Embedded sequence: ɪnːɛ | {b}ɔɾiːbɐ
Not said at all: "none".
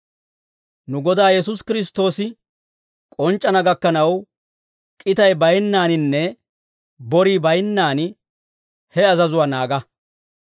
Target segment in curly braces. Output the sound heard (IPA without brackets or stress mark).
b